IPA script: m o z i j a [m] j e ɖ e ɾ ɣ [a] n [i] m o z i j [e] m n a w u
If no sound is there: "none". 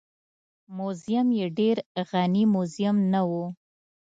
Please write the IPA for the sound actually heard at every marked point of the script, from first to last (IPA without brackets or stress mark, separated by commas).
m, a, i, a